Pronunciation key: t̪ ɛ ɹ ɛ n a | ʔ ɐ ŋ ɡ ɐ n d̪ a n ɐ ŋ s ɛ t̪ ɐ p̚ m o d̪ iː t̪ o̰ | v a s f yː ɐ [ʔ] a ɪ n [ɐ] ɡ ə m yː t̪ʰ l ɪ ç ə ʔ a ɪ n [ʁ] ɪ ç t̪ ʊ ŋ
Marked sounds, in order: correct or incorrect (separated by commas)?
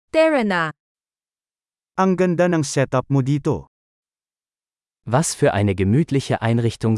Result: correct, incorrect, correct